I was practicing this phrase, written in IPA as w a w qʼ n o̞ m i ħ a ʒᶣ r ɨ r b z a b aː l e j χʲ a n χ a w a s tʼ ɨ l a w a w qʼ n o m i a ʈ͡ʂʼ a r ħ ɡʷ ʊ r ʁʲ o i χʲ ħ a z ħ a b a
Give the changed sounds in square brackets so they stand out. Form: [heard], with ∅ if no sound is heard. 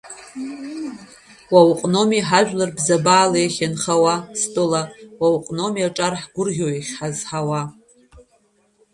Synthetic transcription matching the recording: w a w qʼ n o̞ m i ħ a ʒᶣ [l] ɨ r b z a b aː l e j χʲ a n χ a w a s tʼ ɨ l a w a w qʼ n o m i a ʈ͡ʂʼ a r ħ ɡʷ ʊ r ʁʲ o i χʲ ħ a z ħ a [w] a